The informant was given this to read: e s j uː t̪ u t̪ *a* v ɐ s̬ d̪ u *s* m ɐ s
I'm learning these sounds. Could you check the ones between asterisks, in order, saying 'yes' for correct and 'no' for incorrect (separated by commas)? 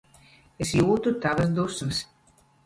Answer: yes, yes